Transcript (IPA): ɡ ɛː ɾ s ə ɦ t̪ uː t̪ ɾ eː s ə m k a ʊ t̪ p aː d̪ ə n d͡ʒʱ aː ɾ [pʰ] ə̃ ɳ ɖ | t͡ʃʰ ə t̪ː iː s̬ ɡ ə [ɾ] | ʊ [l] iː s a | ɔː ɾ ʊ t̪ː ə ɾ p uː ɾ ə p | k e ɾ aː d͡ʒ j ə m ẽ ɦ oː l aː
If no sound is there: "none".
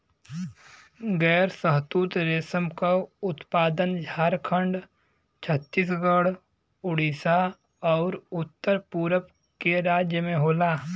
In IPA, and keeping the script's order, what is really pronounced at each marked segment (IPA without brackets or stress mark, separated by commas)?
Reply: kʰ, ɽ, ɽ